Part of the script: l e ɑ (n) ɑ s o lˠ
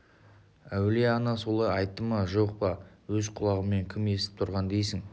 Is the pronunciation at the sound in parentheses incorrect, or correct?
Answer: correct